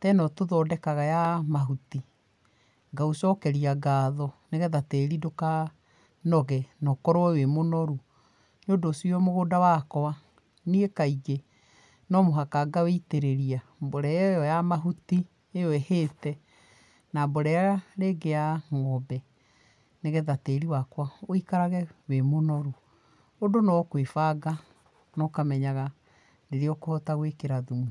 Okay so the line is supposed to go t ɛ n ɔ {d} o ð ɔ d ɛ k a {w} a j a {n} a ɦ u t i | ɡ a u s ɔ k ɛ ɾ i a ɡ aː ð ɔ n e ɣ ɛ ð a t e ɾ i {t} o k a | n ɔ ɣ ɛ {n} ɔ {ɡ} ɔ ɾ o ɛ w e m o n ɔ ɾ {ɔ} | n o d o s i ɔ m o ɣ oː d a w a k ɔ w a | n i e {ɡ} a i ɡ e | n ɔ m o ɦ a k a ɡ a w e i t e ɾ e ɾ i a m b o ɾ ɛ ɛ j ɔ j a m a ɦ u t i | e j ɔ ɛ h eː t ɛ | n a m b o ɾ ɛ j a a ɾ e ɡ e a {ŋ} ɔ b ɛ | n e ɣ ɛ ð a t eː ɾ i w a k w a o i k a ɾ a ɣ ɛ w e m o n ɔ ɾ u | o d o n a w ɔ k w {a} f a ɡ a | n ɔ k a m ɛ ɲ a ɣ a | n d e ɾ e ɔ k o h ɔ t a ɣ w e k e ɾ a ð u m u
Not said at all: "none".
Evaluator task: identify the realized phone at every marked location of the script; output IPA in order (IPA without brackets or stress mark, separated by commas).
t, ɣ, m, d, n, k, u, k, ŋ, e